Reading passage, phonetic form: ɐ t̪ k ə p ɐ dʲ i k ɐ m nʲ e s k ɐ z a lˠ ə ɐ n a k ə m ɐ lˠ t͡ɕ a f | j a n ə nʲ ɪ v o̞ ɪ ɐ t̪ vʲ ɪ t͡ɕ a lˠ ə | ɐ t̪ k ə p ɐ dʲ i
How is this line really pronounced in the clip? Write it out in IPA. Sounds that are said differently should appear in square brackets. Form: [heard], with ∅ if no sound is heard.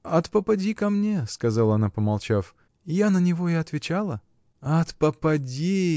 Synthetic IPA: ɐ t̪ [p] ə p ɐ dʲ i k ɐ m nʲ e s k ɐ z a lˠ ə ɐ n a [p] ə m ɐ lˠ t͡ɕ a f | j a n ə nʲ ɪ v o̞ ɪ ɐ t̪ vʲ ɪ t͡ɕ a lˠ ə | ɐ t̪ [p] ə p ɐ dʲ i